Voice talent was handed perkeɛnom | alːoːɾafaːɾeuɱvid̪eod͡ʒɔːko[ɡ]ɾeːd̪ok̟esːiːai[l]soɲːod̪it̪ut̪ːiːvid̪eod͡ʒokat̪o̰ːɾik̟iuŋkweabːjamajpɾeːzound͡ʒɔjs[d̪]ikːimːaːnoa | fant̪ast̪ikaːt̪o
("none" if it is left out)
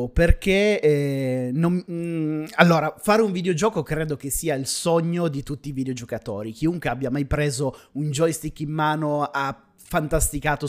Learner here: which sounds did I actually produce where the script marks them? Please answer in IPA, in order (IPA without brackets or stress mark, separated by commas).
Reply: k, l, t̪